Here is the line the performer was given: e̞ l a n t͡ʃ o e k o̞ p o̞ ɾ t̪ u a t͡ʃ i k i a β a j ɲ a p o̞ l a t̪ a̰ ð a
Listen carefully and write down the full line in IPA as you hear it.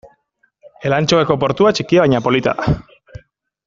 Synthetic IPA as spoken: e̞ l a n t͡ʃ o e k o̞ p o̞ ɾ t̪ u a t͡ʃ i k i a β a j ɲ a p o̞ l i t̪ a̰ ð a